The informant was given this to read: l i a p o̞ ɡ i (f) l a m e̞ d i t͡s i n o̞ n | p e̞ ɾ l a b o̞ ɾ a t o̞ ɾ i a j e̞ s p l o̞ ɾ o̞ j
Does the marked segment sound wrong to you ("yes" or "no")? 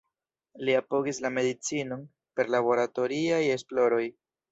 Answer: yes